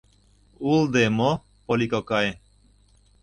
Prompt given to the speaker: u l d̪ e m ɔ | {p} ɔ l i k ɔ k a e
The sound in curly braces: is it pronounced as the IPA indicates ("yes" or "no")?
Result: yes